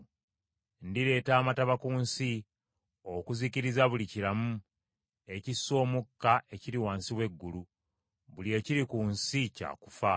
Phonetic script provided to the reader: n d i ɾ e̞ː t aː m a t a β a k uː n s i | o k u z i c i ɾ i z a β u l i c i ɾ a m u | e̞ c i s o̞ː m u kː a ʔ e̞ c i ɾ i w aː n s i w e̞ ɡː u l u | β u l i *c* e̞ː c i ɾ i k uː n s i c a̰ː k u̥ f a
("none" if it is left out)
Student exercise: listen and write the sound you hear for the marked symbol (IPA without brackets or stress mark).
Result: none